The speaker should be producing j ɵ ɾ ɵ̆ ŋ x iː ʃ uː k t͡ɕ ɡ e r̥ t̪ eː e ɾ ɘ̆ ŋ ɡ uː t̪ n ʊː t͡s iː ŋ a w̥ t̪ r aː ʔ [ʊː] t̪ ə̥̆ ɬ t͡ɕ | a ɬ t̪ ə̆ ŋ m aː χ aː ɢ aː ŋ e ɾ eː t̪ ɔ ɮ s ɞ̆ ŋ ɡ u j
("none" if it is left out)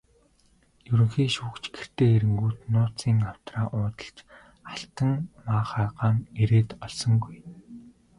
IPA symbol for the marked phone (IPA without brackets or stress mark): ʊː